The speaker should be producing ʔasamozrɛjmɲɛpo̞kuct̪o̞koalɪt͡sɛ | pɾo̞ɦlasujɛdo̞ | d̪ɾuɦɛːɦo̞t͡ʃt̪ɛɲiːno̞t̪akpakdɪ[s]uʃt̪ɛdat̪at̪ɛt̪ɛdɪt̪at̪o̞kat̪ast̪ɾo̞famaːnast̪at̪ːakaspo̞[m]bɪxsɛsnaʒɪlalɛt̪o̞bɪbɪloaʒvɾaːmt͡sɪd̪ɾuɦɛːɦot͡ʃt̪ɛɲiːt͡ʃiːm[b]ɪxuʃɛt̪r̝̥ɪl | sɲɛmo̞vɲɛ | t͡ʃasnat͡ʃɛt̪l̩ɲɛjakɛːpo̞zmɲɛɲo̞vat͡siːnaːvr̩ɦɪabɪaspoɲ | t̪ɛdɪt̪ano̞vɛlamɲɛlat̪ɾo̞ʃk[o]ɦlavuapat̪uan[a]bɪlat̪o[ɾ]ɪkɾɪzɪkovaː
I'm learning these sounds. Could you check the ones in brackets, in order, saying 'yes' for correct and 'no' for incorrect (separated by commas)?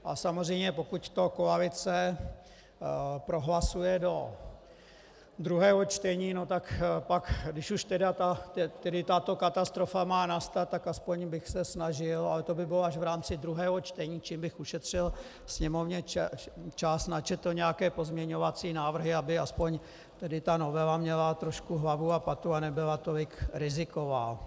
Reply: no, no, yes, no, no, no